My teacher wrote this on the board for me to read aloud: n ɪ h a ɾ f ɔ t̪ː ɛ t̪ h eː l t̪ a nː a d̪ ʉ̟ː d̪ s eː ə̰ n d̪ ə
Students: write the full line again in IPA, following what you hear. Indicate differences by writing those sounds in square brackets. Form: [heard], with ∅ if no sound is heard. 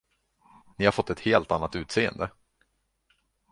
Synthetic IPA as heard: n ɪ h a ɾ f ɔ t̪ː ɛ t̪ h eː l t̪ a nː a [t̪] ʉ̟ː [t̪] s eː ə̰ n d̪ ə